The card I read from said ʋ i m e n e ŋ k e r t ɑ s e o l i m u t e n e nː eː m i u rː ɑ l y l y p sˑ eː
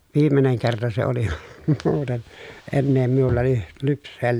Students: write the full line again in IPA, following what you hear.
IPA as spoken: ʋ iː m e n e ŋ k e r t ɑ s e o l i m uː t e n e nː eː m i u lː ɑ l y l y p sˑ eː